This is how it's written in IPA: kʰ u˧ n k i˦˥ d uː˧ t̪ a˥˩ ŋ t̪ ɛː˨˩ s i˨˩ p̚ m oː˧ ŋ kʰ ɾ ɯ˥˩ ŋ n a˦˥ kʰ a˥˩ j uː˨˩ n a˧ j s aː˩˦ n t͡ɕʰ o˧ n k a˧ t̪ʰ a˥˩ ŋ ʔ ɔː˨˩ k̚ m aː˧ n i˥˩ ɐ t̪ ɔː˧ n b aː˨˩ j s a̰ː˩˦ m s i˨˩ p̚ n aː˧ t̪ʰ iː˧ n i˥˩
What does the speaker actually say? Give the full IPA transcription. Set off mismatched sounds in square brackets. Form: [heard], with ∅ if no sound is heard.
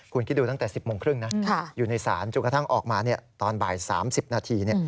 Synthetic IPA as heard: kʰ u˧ n k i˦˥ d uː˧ t̪ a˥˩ ŋ t̪ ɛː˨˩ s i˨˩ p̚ m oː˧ ŋ kʰ ɾ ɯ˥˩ ŋ n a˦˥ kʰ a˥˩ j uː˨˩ n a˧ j s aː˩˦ n [t͡ɕ] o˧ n k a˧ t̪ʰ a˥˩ ŋ ʔ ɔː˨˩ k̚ m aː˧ n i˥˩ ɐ t̪ ɔː˧ n b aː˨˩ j s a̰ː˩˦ m s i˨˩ p̚ n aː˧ t̪ʰ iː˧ n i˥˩